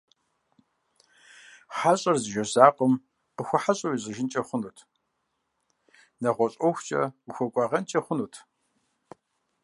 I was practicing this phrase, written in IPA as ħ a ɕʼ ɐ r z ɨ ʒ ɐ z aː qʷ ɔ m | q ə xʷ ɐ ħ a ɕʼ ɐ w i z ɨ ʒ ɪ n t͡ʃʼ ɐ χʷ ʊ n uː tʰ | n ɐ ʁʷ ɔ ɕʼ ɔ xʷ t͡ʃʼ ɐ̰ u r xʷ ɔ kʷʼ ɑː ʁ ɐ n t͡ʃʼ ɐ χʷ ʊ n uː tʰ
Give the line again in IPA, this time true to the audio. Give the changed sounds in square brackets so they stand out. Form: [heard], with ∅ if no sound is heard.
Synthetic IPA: ħ a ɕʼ ɐ r z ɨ ʒ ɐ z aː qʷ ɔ m | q ə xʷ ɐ ħ a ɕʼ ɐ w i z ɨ ʒ ɪ n t͡ʃʼ ɐ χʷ ʊ n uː tʰ | n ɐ ʁʷ ɔ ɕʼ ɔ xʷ t͡ʃʼ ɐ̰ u [∅] xʷ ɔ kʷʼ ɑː ʁ ɐ n t͡ʃʼ ɐ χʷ ʊ n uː tʰ